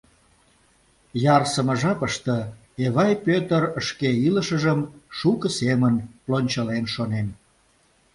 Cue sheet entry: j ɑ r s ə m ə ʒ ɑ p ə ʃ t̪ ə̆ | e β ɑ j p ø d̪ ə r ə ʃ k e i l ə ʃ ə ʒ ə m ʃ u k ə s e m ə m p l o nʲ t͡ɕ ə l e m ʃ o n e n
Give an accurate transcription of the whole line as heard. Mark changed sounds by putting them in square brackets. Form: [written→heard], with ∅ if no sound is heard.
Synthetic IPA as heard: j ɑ r s ə m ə ʒ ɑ p ə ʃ t̪ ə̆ | e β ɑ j p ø [d̪→t̪] ə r ə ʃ k e i l ə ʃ ə ʒ ə m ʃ u k ə s e m ə [m→n] p l o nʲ t͡ɕ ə l e [m→n] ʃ o n e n